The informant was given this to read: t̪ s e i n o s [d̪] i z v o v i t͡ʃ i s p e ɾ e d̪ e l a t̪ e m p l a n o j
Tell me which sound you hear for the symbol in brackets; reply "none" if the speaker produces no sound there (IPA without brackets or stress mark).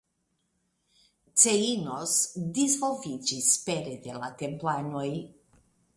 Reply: d̪